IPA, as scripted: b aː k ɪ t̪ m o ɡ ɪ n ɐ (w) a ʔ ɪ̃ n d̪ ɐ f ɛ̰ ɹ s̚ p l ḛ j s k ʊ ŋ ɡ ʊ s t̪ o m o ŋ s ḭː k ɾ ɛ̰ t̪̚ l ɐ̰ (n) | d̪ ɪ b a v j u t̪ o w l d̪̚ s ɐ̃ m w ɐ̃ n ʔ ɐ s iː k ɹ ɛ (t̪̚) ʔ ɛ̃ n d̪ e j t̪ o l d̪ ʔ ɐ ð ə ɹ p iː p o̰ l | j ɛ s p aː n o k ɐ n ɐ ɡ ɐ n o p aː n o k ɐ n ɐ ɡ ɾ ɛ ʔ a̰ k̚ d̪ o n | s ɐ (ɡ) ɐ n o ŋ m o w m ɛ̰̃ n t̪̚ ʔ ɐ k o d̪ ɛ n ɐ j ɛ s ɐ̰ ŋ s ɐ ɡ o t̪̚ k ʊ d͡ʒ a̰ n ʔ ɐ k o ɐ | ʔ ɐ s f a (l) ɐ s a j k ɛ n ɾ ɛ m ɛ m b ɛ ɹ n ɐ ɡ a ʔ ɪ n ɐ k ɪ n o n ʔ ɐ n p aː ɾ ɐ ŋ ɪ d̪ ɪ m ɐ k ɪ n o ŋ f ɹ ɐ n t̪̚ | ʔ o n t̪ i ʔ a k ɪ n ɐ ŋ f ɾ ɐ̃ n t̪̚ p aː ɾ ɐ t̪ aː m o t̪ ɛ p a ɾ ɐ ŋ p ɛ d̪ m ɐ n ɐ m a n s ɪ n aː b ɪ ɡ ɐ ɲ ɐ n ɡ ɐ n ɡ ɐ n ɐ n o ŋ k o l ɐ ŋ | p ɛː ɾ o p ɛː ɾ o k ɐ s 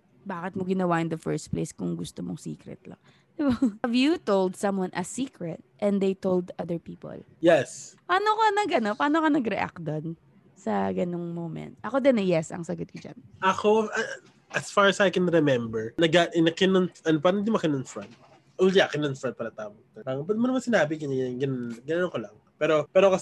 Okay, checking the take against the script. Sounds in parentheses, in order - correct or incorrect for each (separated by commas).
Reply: correct, incorrect, correct, correct, incorrect